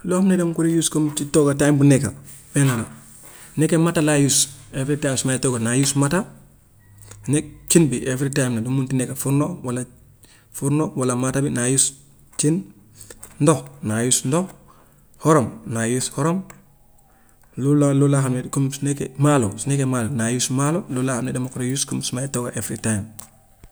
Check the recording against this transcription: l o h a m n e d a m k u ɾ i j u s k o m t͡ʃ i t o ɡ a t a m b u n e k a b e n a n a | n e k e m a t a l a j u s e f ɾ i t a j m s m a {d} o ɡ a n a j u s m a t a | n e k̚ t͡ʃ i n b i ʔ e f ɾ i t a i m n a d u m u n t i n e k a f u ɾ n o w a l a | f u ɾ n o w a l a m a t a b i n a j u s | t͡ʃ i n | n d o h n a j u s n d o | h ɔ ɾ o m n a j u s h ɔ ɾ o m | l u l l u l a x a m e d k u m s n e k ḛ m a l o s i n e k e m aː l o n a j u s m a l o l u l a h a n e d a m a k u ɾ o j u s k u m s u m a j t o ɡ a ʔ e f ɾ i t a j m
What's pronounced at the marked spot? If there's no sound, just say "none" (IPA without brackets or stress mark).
t